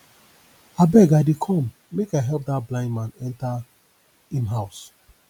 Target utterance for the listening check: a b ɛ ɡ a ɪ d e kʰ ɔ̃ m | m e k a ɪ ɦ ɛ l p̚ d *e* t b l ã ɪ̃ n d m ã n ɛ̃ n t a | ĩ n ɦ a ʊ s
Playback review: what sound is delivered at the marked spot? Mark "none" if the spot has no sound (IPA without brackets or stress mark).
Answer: a